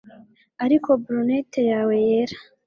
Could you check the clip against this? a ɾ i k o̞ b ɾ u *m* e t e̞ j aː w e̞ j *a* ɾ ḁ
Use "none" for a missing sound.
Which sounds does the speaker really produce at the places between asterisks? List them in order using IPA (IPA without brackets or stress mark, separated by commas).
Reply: n, e